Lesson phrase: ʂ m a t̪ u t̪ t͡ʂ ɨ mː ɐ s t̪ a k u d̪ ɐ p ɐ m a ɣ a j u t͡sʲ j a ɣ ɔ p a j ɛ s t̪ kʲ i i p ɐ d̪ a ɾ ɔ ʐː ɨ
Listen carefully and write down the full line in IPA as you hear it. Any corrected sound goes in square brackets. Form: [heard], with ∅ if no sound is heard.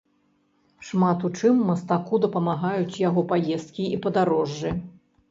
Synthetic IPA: ʂ m a t̪ u [∅] t͡ʂ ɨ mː ɐ s t̪ a k u d̪ ɐ p ɐ m a ɣ a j u t͡sʲ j a ɣ ɔ p a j ɛ s t̪ kʲ i i p ɐ d̪ a ɾ ɔ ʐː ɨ